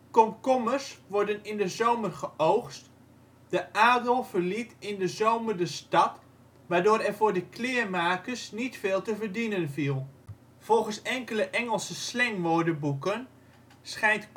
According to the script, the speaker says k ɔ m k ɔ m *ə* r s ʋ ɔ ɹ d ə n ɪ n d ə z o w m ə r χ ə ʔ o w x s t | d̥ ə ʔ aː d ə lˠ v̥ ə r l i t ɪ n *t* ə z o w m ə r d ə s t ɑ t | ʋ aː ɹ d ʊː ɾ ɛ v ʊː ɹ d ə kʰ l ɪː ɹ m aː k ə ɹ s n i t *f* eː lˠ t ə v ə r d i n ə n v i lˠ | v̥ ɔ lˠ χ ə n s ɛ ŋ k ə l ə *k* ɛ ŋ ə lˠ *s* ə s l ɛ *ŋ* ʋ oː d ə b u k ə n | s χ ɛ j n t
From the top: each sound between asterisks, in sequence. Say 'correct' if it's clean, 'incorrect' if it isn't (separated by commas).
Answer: correct, incorrect, correct, incorrect, correct, correct